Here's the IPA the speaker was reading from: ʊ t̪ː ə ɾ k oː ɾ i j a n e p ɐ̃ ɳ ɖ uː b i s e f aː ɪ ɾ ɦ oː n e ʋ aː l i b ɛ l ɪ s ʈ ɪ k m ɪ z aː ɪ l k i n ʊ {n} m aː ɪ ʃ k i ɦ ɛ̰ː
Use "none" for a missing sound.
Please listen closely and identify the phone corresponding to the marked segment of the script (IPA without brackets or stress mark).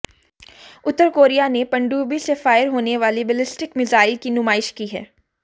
none